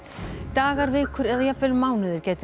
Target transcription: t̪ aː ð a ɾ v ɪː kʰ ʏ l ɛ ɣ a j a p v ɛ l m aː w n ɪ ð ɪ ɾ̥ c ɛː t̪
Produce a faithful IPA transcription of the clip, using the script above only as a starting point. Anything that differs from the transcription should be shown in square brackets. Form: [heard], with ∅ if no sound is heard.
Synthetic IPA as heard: t̪ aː [ɣ] a ɾ v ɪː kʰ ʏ [ɾ] ɛ [ð] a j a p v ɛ l m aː w n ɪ ð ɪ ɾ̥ c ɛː t̪